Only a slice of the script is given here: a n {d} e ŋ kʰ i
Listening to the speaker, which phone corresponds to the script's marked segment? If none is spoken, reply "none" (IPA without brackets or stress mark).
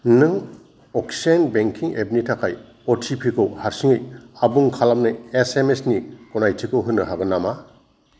b